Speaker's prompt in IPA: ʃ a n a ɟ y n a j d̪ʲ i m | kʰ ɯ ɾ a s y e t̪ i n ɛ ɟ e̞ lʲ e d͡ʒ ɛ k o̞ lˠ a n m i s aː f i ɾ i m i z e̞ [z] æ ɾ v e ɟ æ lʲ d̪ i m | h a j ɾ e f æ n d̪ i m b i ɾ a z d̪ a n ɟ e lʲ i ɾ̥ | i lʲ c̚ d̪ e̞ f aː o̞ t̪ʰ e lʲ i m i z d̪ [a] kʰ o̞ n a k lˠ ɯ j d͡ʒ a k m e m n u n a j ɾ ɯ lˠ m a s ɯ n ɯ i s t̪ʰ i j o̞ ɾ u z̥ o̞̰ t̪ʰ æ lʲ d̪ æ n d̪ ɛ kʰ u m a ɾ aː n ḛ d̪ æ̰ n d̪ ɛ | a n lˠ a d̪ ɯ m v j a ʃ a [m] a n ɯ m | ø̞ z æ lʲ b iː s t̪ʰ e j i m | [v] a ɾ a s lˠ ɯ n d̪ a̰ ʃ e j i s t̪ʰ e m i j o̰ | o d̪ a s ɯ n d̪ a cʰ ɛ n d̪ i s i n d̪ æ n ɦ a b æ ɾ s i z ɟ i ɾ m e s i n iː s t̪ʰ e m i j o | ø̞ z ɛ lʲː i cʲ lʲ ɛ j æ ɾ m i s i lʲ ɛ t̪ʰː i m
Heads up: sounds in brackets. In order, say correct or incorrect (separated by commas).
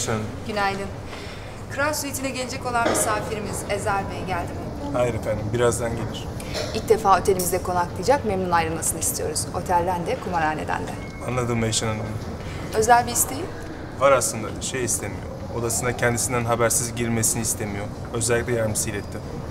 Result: correct, incorrect, incorrect, correct